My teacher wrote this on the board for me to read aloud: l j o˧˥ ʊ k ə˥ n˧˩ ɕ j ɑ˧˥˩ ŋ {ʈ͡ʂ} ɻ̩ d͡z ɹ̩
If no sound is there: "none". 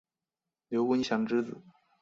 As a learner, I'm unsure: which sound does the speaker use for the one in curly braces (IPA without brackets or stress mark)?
ʈ͡ʂ